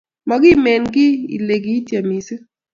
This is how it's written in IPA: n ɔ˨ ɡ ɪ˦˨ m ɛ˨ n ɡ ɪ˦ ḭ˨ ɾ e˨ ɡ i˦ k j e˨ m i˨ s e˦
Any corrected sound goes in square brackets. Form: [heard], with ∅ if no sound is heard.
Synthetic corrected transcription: [m] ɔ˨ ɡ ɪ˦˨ m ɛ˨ n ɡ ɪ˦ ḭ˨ [l] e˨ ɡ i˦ [t] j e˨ m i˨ s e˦